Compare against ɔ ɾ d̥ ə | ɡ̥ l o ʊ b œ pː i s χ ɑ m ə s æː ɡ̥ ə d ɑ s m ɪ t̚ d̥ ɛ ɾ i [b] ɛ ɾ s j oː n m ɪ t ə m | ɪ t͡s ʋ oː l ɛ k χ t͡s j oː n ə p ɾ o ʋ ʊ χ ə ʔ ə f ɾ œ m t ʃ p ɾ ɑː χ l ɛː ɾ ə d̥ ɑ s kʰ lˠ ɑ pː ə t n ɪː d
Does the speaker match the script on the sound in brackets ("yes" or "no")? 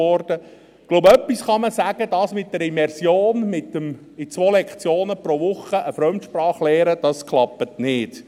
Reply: no